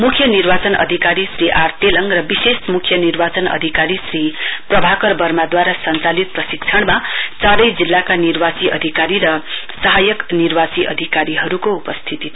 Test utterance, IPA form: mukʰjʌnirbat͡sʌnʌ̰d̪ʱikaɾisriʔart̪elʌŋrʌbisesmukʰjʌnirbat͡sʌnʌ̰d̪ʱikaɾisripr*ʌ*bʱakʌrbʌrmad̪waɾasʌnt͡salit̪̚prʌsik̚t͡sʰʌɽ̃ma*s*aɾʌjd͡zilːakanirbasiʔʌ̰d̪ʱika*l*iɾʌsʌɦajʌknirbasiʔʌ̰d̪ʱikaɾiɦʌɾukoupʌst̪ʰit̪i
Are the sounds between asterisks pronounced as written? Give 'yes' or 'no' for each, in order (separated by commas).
yes, no, no